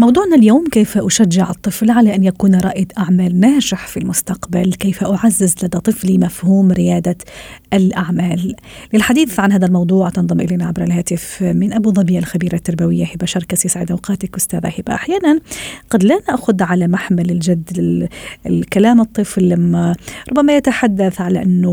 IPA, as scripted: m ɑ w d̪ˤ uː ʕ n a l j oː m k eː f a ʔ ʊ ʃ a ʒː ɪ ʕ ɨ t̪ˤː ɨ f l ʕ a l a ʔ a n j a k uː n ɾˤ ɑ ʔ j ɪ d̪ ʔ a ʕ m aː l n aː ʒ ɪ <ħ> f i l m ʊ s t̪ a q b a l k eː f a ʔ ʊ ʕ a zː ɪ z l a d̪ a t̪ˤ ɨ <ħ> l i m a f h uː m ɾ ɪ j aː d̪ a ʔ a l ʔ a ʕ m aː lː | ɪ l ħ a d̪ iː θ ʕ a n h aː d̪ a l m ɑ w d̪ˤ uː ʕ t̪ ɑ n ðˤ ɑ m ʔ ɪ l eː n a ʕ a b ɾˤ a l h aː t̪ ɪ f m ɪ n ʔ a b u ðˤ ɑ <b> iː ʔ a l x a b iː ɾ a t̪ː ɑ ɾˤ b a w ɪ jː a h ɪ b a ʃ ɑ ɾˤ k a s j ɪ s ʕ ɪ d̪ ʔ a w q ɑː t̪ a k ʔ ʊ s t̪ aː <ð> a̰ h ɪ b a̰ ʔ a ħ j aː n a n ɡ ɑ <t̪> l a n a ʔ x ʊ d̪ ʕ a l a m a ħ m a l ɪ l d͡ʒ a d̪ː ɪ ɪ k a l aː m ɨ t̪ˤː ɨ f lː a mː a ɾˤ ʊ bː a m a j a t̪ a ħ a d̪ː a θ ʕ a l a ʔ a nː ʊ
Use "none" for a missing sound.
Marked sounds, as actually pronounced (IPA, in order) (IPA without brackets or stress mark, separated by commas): ħ, f, b, ð, d̪